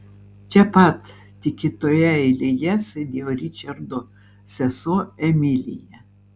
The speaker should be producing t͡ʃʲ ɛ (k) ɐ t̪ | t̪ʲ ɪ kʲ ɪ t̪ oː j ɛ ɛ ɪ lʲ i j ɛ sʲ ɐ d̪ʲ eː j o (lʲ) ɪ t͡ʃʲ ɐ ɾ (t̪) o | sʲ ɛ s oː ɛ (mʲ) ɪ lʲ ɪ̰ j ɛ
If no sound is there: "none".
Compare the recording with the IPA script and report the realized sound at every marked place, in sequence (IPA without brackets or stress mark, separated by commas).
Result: p, ɾʲ, d̪, mʲ